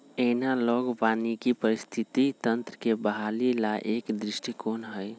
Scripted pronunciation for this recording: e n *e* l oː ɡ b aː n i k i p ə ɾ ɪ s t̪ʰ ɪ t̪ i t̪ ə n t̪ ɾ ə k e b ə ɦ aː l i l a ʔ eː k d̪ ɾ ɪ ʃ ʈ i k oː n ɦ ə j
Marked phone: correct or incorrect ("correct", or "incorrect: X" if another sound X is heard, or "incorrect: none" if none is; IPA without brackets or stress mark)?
incorrect: a